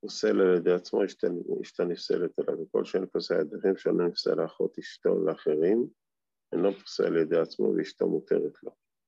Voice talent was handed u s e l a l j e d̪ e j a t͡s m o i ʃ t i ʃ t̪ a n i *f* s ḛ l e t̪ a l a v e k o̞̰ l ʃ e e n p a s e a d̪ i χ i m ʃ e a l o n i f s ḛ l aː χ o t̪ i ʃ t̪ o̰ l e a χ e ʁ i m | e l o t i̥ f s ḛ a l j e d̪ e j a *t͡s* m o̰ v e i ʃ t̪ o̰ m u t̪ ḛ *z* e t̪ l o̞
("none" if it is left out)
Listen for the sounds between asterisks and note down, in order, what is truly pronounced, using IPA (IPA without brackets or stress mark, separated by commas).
f, t͡s, ʁ